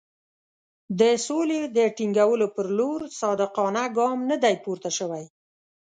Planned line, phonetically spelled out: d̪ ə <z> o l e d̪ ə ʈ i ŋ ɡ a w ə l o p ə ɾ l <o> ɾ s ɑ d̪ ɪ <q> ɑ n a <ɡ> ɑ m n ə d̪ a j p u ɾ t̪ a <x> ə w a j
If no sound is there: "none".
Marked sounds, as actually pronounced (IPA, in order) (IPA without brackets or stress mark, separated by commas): s, o, q, ɡ, ʃ